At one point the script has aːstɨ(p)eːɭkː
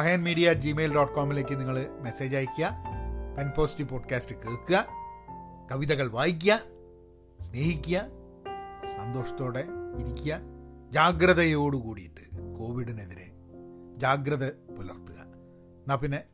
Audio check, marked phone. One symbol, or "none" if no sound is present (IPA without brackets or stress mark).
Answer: k